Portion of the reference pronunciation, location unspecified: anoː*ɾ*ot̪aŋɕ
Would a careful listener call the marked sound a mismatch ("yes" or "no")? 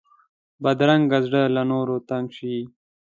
no